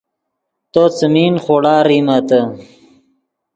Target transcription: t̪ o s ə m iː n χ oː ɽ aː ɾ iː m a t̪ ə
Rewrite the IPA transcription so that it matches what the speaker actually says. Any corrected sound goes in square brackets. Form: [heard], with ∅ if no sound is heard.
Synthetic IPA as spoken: t̪ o [t͡s] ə m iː n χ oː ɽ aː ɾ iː m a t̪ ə